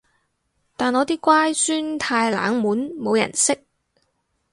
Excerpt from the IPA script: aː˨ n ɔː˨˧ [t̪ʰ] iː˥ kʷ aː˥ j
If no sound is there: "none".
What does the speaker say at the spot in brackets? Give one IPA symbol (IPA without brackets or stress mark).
t̪